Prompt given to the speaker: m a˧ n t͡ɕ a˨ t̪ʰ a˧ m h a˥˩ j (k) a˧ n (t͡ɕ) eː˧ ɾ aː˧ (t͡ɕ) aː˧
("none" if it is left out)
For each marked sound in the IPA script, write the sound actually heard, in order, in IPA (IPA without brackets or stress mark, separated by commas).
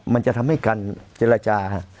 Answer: k, t͡ɕ, t͡ɕ